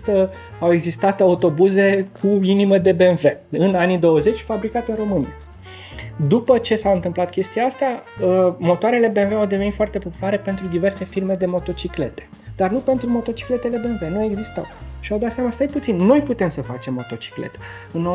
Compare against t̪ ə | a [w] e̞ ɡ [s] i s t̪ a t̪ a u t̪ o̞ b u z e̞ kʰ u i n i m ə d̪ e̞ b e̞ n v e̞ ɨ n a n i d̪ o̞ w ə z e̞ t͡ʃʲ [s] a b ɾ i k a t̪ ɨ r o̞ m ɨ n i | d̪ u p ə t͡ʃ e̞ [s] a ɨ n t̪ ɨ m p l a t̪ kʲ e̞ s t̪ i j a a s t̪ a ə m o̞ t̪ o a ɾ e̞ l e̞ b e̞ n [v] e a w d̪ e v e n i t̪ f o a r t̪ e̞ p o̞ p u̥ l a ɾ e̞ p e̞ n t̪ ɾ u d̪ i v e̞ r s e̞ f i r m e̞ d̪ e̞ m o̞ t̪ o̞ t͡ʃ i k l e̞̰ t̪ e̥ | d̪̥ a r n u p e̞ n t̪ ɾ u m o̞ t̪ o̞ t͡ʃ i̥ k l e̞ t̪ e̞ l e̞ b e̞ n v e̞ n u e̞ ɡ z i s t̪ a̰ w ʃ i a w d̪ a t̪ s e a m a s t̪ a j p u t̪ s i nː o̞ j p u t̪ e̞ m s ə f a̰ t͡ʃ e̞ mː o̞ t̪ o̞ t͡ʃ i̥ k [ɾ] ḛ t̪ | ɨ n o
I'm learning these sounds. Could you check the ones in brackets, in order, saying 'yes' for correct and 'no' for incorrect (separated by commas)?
yes, no, no, yes, yes, no